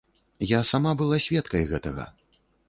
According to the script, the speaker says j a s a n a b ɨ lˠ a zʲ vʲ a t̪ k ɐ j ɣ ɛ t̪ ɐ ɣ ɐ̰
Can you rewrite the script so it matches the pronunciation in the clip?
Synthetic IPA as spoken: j a s a m a b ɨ lˠ a sʲ vʲ ɛ t̪ k ɐ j ɣ ɛ t̪ ɐ ɣ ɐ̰

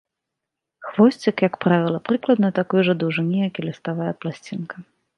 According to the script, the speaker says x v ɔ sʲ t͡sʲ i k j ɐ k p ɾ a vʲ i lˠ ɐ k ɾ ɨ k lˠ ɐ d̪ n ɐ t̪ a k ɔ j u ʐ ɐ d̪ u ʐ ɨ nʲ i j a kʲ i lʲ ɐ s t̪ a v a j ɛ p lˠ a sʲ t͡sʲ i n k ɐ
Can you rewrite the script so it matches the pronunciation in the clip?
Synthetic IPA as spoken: x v ɔ sʲ t͡sʲ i k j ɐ k p ɾ a vʲ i lˠ ɐ p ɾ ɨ k lˠ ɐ d̪ n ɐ t̪ a k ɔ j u ʐ ɐ d̪ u ʐ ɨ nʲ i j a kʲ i lʲ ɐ s t̪ a v a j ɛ p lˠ a sʲ t͡sʲ i n k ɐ

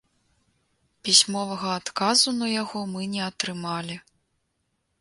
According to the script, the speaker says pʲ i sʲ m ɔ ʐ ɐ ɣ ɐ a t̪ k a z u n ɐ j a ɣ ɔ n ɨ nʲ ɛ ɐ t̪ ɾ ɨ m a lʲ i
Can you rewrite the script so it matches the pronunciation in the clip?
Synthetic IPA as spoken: pʲ i sʲ m ɔ v ɐ ɣ ɐ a t̪ k a z u n ɐ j a ɣ ɔ m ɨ nʲ ɛ ɐ t̪ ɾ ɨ m a lʲ i

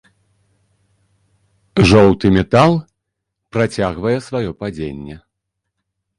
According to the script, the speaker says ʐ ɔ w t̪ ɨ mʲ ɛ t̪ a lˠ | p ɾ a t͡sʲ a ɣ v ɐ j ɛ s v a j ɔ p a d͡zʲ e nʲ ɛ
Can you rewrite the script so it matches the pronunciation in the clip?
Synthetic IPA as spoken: ʐ ɔ w t̪ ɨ mʲ ɛ t̪ a lˠ | p ɾ a t͡sʲ a ɣ v ɐ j ɛ s v a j ɔ p a d͡zʲ e nʲː ɛ

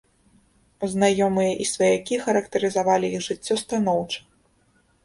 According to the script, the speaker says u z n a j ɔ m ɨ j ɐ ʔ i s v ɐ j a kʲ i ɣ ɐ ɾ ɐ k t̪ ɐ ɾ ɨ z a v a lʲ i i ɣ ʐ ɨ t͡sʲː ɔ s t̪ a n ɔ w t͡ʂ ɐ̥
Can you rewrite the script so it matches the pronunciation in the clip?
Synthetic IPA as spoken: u z n a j ɔ m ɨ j ɐ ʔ i s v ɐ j a kʲ i x ɐ ɾ ɐ k t̪ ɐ ɾ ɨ z a v a lʲ i i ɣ ʐ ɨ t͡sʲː ɔ s t̪ a n ɔ w t͡ʂ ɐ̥

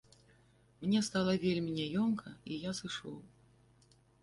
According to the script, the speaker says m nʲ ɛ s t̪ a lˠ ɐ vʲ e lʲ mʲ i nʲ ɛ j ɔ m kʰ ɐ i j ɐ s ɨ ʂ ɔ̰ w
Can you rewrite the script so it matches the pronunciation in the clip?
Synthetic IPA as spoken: m nʲ ɛ s t̪ a lˠ ɐ vʲ e lʲ mʲ i nʲ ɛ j ɔ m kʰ ɐ i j a s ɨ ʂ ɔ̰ w

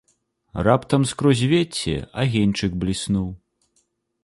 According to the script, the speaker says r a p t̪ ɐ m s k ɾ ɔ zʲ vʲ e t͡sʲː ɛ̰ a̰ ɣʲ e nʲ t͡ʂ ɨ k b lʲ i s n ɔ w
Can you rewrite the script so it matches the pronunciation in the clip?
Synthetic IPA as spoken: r a p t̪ ɐ m s k ɾ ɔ zʲ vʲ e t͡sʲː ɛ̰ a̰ ɣʲ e nʲ t͡ʂ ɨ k b lʲ i s n u w

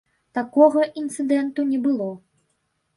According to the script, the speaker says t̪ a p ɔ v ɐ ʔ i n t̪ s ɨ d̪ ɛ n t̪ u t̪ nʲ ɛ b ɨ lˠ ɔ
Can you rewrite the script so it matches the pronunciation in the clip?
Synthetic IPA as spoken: t̪ a k ɔ ɣ ɐ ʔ i n t̪ s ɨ d̪ ɛ n t̪ u nʲ ɛ b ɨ lˠ ɔ

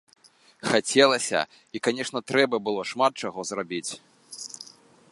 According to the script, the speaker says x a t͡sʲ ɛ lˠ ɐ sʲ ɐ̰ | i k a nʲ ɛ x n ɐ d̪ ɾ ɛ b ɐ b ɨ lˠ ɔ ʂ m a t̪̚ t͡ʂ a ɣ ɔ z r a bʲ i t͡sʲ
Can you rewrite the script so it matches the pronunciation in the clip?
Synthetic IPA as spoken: x a t͡sʲ ɛ lˠ ɐ sʲ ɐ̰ | i k a nʲ ɛ ʂ n ɐ t̪ ɾ ɛ b ɐ b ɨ lˠ ɔ ʂ m a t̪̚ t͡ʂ a ɣ ɔ z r a bʲ i t͡sʲ

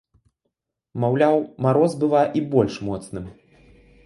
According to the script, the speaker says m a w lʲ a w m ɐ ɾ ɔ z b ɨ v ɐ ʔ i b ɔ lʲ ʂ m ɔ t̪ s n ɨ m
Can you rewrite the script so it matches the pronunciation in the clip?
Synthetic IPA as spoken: m a w lʲ a w m a ɾ ɔ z b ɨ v a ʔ i b ɔ lʲ ʂ m ɔ t̪ s n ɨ m

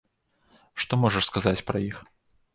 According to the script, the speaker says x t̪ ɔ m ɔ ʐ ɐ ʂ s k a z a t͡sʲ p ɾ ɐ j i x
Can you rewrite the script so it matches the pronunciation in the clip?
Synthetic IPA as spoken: ʂ t̪ ɔ m ɔ ʐ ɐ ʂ s k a z a t͡sʲ p ɾ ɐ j i x

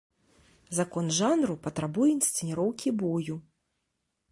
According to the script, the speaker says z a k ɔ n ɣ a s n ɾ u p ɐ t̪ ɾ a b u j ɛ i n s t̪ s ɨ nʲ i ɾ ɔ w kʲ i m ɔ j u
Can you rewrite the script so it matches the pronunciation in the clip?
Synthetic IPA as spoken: z a k ɔ n ʐ a n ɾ u p ɐ t̪ ɾ a b u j ɛ i n s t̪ s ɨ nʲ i ɾ ɔ w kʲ i b ɔ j u

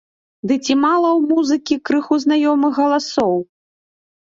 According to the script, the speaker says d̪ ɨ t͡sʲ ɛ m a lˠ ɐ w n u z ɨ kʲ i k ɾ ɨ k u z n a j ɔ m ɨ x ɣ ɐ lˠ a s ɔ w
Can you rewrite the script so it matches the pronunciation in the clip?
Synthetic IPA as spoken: d̪ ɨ t͡sʲ i m a lˠ ɐ w m u z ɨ kʲ i k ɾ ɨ x u z n a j ɔ m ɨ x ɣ ɐ lˠ a s ɔ w

